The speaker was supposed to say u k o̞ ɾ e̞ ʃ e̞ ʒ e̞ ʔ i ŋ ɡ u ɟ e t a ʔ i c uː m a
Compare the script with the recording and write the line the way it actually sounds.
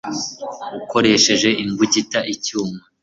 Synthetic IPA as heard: u k o̞ ɾ e̞ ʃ e̞ ʒ e̞ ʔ i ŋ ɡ u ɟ i t a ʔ i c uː m a

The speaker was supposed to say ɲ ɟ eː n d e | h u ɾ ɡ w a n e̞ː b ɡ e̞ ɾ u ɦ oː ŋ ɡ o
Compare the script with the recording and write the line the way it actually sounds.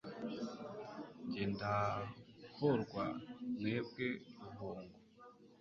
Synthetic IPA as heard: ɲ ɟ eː n d a | h o ɾ ɡ w a n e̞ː b ɡ e̞ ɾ u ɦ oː ŋ ɡ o

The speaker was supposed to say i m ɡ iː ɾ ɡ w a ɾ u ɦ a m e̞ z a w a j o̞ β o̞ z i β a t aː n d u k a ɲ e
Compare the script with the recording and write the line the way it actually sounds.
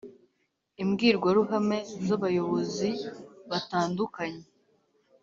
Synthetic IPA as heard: i m ɡ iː ɾ ɡ w a ɾ u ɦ a m e̞ z a β a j o̞ β o̞ z i β a t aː n d u k a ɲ e

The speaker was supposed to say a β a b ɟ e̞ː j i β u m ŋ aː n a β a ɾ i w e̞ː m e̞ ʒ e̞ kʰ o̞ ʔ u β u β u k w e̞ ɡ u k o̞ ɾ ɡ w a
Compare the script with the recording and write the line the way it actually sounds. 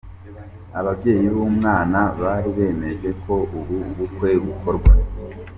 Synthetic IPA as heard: a β a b ɟ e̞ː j i β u m ŋ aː n a β a ɾ i β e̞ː m e̞ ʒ e̞ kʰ o̞ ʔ u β u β u k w e̞ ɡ u k o̞ ɾ ɡ w a

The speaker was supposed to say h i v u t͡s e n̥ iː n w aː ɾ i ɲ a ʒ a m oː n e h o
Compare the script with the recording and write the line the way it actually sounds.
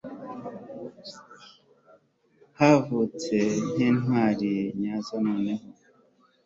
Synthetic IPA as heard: h a v u t͡s e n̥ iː n w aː ɾ i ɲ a z a n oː n e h o

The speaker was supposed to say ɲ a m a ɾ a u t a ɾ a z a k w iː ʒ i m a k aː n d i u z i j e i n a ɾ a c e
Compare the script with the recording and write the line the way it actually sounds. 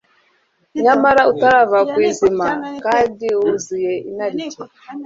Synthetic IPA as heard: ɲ a m a ɾ a u t a ɾ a v a k w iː z i m a k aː n d i u z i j e i n a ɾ i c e

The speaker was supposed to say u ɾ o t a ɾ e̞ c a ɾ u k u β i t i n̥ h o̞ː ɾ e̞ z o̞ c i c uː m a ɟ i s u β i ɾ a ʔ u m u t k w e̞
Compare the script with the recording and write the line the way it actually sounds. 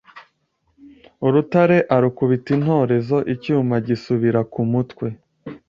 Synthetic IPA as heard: u ɾ u t a ɾ e̞ ʔ a ɾ u k u β i t i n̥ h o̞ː ɾ e̞ z o̞ ʔ i c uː m a ɟ i s u β i ɾ a k u m u t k w e̞

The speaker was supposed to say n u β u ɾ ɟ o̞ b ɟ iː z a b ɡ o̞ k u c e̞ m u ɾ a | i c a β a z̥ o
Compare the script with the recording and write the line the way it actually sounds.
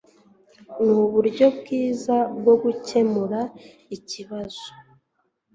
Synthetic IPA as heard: n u β u ɾ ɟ o̞ b ɡ iː z a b ɡ o̞ ɡ u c e̞ m u ɾ a | i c i β a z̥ o

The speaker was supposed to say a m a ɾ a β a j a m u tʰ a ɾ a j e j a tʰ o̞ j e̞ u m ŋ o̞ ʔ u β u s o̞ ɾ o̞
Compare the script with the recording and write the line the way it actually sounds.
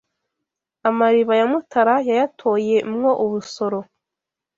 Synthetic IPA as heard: a m a ɾ i β a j a m u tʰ a ɾ a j a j a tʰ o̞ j e̞ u m ŋ o̞ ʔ u β u s o̞ ɾ o̞

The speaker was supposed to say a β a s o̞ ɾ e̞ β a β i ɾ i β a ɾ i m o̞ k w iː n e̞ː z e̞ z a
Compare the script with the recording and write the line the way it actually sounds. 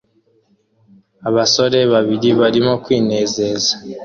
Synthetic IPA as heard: a β a s o̞ ɾ e̞ β a β i ɾ i β a ɾ i m o̞ k w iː n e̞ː z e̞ z a

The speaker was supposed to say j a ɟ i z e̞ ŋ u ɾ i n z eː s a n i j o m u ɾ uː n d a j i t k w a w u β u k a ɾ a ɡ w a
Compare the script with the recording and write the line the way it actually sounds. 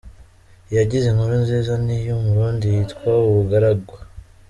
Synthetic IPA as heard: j a ɟ i z e̞ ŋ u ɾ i n z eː z a n i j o m u ɾ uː n d i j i t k w a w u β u ɡ a ɾ a ɡ w a

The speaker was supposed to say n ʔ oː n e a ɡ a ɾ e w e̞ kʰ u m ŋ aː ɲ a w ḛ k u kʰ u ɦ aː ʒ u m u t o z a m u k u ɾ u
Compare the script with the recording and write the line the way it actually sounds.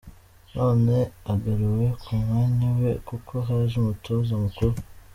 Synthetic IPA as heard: n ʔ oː n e a ɡ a ɾ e w e̞ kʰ u m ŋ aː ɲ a w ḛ k u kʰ o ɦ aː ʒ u m u t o z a m u k u ɾ u

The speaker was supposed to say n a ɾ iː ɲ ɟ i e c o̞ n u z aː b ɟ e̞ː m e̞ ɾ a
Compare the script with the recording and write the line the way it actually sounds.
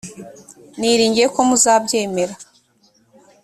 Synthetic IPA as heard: n i ɾ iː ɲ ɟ i e k o̞ m u z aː b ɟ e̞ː m e̞ ɾ a

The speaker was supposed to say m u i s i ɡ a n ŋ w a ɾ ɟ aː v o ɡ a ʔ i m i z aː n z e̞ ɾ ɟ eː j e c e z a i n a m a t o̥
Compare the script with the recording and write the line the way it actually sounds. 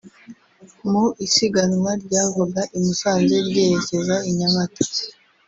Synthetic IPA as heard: m u i s i ɡ a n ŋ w a ɾ ɟ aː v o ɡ a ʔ i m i s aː n z e̞ ɾ ɟ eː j e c e z a i ɲ a m a t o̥

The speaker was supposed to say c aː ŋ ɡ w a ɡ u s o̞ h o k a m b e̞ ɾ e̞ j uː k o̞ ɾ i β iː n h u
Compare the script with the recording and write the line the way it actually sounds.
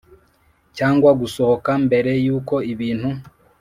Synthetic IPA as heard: c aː ŋ ɡ w a ɡ u s o̞ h o k a m b e̞ ɾ e̞ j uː k o̞ i β iː n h u

